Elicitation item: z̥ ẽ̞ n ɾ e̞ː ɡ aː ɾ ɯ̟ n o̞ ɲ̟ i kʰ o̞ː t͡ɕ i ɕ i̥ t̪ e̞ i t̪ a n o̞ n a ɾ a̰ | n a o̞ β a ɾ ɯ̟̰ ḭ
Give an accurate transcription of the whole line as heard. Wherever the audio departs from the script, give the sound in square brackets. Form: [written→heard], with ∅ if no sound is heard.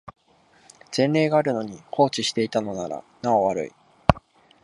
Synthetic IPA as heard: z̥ ẽ̞ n ɾ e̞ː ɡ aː ɾ ɯ̟ n o̞ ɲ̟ i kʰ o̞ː t͡ɕ i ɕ i̥ t̪ e̞ i t̪ a n o̞ n a ɾ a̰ | n a o̞ β a ɾ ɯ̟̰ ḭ